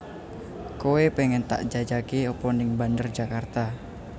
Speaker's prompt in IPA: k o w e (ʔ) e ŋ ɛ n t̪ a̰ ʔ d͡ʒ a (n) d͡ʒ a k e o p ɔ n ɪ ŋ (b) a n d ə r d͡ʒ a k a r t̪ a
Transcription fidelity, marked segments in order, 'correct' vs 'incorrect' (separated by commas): incorrect, incorrect, correct